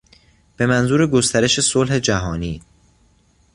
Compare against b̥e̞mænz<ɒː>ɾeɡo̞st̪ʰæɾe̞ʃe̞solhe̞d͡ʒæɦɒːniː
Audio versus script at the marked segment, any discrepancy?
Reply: yes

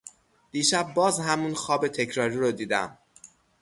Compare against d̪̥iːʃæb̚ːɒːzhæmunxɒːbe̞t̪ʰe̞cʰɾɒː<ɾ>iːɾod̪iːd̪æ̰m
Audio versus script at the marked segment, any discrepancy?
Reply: no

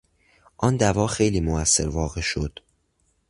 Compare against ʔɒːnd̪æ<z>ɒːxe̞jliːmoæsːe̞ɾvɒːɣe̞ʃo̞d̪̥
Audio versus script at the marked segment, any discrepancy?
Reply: yes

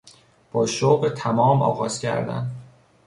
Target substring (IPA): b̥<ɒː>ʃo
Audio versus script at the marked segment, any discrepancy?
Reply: no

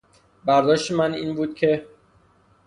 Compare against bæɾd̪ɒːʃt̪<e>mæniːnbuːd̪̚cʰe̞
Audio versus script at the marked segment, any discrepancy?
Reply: no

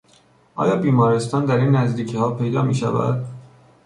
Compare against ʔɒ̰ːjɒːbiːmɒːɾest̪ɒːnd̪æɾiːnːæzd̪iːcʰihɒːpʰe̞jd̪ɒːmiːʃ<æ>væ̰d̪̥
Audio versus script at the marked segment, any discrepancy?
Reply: no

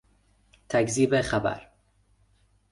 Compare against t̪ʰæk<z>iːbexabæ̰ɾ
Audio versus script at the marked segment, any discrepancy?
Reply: no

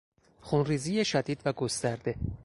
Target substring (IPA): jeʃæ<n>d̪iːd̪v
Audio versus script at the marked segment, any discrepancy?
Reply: yes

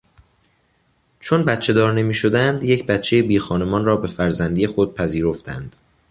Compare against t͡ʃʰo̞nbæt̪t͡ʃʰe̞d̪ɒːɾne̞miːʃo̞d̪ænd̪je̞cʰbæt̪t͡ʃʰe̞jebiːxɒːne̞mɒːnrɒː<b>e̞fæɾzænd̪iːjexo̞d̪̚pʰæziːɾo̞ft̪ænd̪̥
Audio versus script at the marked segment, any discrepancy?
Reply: no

